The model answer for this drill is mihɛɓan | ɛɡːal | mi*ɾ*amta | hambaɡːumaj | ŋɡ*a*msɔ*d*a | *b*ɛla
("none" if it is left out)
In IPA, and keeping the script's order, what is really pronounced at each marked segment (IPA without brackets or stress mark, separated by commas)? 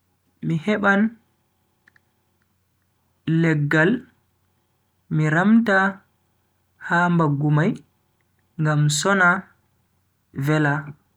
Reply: ɾ, a, n, v